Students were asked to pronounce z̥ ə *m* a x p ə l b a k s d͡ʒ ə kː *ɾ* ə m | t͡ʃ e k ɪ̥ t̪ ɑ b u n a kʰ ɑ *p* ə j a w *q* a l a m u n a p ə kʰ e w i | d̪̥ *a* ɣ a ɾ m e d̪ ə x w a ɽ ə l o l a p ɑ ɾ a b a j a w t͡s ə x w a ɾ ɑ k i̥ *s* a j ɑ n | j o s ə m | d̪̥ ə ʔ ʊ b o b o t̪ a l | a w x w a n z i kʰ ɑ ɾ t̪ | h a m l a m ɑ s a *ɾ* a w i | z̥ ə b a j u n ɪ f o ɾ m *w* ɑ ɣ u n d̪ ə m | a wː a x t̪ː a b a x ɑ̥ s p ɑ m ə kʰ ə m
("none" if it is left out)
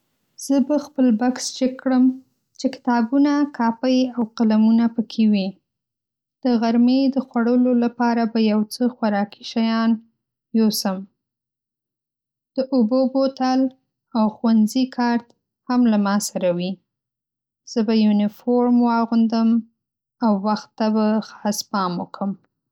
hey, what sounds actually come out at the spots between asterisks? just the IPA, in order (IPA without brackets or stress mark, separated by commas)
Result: b, ɽ, p, q, ə, ʃ, ɾ, w